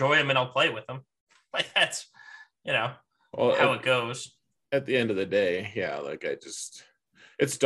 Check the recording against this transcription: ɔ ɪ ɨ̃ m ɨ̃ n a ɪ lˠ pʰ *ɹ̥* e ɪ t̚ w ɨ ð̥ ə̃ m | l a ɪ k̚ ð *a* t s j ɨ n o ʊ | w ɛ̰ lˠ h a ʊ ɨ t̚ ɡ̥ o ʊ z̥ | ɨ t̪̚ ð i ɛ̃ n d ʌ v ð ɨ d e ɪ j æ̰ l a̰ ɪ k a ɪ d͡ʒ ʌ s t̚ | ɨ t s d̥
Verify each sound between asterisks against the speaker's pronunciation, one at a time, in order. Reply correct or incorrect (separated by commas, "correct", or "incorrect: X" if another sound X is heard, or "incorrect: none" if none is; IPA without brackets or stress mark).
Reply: incorrect: l̥, incorrect: æ